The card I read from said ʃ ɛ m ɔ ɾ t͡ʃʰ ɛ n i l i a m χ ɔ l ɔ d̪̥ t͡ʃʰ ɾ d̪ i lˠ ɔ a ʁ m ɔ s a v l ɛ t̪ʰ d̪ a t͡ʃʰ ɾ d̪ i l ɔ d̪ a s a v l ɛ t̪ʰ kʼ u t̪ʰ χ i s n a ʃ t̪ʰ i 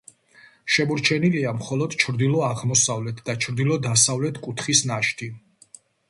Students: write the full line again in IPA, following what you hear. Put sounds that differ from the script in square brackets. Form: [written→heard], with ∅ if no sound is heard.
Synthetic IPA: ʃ ɛ m ɔ ɾ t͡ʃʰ ɛ n i l i a m χ ɔ l ɔ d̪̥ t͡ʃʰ ɾ d̪ i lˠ ɔ a ʁ m ɔ s a v l ɛ t̪ʰ d̪ a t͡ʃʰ ɾ d̪ i l ɔ d̪ a s a v l ɛ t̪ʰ kʼ u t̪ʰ χ i s n a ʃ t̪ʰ i